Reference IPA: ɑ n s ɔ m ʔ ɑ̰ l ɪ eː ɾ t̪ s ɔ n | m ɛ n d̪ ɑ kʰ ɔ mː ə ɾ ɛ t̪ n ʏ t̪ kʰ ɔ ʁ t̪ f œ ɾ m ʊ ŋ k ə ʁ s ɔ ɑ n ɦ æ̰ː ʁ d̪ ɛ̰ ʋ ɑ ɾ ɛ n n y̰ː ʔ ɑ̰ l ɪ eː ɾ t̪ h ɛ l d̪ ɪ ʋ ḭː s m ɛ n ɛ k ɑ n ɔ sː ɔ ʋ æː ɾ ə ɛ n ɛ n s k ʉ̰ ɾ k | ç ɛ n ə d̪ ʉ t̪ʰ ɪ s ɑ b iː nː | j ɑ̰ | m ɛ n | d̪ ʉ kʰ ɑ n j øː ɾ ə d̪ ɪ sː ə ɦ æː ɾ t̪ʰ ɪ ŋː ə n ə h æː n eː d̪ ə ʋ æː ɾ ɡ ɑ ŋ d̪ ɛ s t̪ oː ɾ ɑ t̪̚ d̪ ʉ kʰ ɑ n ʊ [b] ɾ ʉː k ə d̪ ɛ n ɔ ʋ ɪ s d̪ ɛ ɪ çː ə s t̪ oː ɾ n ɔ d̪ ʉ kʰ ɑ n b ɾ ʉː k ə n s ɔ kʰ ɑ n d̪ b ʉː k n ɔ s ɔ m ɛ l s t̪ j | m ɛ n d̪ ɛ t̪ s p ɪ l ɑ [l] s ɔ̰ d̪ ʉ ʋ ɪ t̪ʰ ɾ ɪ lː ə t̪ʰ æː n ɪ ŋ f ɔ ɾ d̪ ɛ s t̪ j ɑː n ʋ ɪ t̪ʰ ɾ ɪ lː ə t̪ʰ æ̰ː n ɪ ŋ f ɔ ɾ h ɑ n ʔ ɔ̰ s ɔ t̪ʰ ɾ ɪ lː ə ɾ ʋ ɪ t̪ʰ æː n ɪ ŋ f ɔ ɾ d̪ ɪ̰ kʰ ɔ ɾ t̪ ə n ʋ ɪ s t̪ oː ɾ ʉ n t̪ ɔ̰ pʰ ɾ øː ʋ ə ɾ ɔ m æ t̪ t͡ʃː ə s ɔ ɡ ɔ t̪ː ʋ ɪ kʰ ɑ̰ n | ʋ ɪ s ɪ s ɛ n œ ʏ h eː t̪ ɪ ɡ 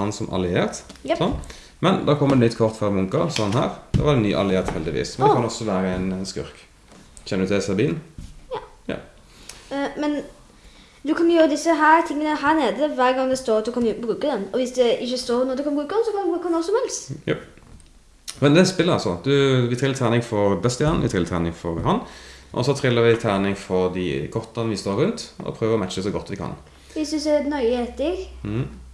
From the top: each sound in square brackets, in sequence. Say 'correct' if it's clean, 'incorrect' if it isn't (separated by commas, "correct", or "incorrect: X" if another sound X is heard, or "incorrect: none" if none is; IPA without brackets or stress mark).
correct, correct